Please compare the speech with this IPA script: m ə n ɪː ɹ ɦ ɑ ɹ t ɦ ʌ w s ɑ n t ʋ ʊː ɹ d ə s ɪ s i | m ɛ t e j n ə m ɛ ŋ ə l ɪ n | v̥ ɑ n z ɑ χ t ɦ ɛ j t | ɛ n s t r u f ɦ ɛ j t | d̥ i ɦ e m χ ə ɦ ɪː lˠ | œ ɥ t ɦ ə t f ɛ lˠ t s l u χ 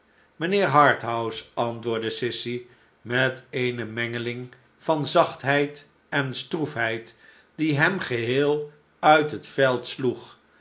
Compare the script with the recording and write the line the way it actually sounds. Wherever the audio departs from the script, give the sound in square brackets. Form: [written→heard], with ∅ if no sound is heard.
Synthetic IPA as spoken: m ə n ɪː ɹ ɦ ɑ ɹ t ɦ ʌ w s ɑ n t ʋ ʊː ɹ d ə s ɪ s i | m ɛ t e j n ə m ɛ ŋ ə l ɪ [n→ŋ] | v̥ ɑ n z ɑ χ t ɦ ɛ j t | ɛ n s t r u f ɦ ɛ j t | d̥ i ɦ [e→ɛ] m χ ə ɦ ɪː lˠ | œ ɥ t ɦ ə t f ɛ lˠ t s l u χ